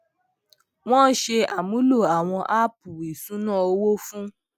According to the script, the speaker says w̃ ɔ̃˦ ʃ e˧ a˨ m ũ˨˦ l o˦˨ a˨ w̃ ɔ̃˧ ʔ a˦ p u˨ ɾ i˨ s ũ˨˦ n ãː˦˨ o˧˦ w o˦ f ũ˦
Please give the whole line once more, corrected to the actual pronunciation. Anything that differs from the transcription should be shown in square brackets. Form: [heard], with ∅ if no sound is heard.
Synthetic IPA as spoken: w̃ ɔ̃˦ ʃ e˧ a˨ m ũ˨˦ l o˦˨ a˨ w̃ ɔ̃˧ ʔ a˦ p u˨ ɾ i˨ s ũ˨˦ n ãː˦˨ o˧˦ w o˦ f ũ˦

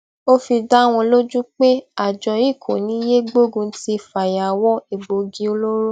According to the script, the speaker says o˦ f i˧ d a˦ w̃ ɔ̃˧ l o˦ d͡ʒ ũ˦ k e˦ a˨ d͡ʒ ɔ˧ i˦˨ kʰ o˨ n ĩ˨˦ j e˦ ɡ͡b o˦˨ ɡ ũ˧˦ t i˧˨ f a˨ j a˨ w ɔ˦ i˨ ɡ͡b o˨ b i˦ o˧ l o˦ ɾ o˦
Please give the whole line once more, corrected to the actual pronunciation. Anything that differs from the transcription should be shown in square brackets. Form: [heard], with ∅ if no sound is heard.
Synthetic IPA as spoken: o˦ f i˧ d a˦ w̃ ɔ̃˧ l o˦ d͡ʒ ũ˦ [k͡p] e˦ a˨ d͡ʒ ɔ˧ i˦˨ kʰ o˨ n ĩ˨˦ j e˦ ɡ͡b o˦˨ ɡ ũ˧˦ t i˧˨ f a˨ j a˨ w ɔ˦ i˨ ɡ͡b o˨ [ɡ] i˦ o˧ l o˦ ɾ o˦

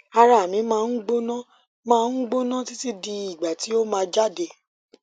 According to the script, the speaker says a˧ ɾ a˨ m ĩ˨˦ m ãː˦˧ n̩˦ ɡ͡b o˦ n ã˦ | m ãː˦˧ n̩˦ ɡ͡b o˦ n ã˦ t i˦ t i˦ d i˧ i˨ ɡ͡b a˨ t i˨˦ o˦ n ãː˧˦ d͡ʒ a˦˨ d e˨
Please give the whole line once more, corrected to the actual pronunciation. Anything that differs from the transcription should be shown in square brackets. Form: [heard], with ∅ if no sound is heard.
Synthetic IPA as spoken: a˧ ɾ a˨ m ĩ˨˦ m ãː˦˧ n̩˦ ɡ͡b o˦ n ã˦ | m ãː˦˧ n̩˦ ɡ͡b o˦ n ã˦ t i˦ t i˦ d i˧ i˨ ɡ͡b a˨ t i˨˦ o˦ [m] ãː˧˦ d͡ʒ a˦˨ d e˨

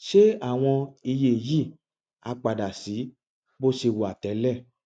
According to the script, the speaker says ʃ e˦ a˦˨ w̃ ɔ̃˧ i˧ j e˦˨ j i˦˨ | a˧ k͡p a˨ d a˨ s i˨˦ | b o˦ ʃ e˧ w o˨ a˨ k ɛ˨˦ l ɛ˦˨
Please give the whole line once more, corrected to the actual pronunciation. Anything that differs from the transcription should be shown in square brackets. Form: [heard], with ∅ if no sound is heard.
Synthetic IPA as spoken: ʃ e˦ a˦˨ w̃ ɔ̃˧ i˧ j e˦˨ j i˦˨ | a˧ k͡p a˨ d a˨ s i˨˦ | b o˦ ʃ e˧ w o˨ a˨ [t] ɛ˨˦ l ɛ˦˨

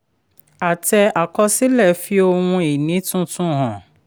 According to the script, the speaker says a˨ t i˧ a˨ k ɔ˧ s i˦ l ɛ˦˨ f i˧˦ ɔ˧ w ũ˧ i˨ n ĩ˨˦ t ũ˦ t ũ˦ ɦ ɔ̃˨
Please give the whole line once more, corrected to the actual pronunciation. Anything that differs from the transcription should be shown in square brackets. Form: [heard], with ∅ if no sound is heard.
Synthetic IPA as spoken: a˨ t [ɛ˧] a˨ k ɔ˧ s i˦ l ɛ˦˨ f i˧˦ [o˧] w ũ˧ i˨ n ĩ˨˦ t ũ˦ t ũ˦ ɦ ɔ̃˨

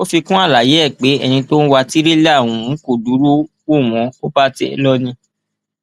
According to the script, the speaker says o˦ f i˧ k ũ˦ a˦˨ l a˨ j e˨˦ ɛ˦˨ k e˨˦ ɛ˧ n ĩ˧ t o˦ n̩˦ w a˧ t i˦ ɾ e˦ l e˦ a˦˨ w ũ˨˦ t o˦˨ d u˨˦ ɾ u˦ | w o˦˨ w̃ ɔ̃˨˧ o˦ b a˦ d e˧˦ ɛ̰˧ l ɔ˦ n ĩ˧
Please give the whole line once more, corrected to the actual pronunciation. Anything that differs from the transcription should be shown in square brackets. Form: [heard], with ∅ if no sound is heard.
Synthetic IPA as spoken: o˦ f i˧ k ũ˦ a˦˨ l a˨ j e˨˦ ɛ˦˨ [k͡p] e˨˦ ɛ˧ n ĩ˧ t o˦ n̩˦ w a˧ t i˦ ɾ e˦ l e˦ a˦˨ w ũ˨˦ [k] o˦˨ d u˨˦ ɾ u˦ | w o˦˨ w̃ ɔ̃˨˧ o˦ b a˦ [t] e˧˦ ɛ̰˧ l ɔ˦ n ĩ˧

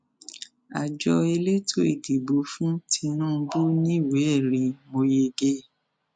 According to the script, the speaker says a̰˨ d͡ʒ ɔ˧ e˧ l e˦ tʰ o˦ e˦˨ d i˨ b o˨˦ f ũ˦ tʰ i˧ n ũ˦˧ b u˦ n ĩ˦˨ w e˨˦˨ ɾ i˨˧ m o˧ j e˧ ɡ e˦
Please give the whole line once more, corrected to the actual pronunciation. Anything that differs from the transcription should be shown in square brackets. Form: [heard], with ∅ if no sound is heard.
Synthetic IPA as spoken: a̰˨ d͡ʒ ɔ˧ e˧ l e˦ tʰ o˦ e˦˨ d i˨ b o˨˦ f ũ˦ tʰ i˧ n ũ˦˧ b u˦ n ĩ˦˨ w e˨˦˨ ɾ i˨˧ m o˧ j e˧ ɡ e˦

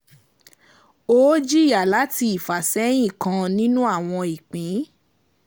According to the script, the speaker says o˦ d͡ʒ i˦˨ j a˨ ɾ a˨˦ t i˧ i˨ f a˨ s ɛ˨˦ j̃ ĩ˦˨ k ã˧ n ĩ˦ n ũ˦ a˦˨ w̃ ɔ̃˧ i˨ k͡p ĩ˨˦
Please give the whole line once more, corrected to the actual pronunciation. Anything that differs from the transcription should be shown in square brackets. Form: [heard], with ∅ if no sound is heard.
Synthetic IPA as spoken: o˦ d͡ʒ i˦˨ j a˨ [l] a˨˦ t i˧ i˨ f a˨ s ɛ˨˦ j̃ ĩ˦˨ k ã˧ n ĩ˦ n ũ˦ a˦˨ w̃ ɔ̃˧ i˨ k͡p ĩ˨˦

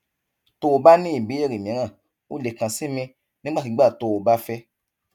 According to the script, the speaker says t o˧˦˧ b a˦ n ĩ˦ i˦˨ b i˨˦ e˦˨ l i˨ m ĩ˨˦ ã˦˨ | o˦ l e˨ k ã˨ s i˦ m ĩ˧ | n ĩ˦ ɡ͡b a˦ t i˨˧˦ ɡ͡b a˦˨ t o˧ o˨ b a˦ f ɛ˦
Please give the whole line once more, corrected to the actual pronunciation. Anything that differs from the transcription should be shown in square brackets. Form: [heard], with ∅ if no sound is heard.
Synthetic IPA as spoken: t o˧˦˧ b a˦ n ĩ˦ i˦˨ b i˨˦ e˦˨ [ɾ] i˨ m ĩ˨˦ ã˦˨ | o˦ l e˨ k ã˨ s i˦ m ĩ˧ | n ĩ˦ ɡ͡b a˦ t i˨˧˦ ɡ͡b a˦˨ t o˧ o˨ b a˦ f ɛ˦

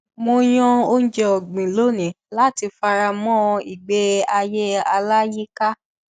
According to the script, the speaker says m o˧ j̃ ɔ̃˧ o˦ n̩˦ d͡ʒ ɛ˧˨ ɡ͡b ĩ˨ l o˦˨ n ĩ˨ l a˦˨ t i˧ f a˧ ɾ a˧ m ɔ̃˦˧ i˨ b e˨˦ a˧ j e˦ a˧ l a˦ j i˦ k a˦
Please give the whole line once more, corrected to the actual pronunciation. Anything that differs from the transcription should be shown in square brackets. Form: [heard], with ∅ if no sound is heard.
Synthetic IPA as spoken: m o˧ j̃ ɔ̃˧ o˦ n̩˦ d͡ʒ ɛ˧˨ ɡ͡b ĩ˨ l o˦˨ n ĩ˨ l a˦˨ t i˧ f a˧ ɾ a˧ m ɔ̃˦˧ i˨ [ɡ͡b] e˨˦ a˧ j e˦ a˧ l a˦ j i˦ k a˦

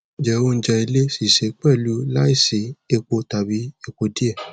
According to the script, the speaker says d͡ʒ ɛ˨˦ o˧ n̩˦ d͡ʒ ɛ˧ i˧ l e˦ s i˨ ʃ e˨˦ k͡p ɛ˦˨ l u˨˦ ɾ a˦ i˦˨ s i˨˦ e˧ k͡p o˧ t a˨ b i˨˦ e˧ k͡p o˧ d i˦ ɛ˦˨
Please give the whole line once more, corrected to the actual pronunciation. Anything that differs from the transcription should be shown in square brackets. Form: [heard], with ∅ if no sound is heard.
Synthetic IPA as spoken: d͡ʒ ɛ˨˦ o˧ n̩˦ d͡ʒ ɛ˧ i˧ l e˦ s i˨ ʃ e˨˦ k͡p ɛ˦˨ l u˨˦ [l] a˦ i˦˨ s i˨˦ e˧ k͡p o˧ t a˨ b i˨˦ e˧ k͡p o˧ d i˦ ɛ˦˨

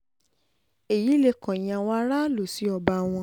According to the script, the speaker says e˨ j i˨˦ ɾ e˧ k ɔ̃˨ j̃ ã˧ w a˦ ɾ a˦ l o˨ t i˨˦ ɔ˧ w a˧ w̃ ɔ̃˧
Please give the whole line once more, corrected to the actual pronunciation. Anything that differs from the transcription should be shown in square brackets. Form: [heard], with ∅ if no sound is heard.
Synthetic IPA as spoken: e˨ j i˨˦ [l] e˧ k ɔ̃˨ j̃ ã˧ w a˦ ɾ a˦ l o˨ [s] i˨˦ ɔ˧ [b] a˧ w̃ ɔ̃˧

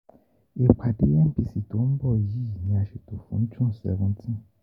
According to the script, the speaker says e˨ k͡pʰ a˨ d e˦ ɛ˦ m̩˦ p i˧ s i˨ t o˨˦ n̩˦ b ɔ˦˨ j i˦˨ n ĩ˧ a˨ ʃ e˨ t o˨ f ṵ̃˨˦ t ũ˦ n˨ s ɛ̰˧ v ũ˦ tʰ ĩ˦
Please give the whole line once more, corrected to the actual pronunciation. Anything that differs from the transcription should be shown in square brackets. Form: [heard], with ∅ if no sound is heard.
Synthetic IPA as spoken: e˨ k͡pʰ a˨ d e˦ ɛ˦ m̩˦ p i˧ s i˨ t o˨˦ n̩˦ b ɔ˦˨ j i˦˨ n ĩ˧ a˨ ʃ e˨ t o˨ f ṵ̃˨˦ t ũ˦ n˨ s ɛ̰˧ v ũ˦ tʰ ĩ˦

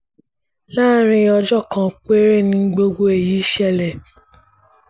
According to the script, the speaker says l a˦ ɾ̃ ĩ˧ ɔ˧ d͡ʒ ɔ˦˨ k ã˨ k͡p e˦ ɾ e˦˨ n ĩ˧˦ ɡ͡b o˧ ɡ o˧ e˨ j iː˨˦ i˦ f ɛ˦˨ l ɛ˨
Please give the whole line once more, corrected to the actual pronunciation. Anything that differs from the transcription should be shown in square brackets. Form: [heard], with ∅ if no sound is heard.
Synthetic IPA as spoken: l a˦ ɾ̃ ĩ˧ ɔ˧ d͡ʒ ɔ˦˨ k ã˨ k͡p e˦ ɾ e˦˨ n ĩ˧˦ ɡ͡b o˧ ɡ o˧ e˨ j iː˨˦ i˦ [ʃ] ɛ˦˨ l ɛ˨

